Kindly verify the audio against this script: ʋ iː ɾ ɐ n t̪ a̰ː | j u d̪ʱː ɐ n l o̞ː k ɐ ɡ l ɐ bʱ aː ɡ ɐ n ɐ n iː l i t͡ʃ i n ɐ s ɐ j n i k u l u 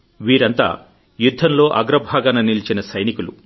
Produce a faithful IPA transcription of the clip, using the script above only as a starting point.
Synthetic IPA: ʋ iː ɾ ɐ n t̪ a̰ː | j u d̪ʱː ɐ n l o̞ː ʔ ɐ ɡ ɾ ɐ bʱ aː ɡ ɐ n ɐ n i l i t͡ʃ i n ɐ s ɐ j n i k u l u